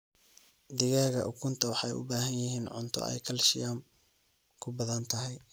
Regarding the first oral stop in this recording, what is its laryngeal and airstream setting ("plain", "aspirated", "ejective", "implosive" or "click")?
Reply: plain